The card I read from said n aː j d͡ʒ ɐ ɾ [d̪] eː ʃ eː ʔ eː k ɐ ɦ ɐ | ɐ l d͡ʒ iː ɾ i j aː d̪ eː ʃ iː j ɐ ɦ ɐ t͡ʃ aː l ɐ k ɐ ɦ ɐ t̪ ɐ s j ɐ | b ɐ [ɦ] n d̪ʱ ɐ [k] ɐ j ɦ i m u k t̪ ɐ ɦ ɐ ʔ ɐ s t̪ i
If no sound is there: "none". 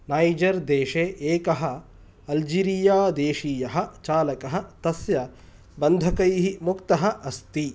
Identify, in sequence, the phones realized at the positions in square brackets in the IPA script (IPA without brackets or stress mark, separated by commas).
d̪, none, k